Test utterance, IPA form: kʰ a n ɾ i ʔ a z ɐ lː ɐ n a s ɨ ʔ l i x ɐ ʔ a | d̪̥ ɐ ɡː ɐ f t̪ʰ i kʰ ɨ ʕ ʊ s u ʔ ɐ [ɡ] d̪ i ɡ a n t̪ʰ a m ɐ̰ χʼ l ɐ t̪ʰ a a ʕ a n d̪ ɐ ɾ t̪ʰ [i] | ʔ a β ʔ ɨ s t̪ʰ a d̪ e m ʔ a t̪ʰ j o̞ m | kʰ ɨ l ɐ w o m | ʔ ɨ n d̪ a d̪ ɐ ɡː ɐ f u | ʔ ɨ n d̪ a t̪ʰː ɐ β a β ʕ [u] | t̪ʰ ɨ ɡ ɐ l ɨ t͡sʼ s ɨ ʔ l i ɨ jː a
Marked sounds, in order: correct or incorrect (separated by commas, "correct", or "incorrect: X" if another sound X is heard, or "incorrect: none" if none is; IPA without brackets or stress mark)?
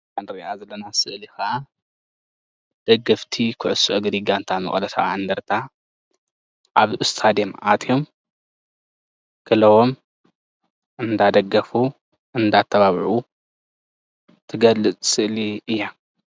correct, incorrect: a, correct